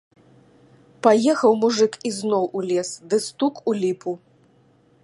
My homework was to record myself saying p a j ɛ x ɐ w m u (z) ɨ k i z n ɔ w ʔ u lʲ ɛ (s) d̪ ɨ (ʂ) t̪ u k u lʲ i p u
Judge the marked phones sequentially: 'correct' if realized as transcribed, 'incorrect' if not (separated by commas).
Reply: incorrect, correct, incorrect